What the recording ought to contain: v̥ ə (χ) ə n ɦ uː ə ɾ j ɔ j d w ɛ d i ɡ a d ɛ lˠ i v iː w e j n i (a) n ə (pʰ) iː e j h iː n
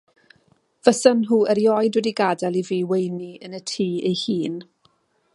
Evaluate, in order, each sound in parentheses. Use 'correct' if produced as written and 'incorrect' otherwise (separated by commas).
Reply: incorrect, incorrect, incorrect